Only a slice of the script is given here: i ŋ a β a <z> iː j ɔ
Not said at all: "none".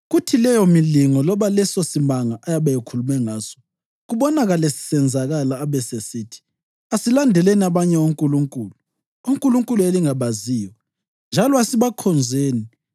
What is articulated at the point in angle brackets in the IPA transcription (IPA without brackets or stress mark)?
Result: z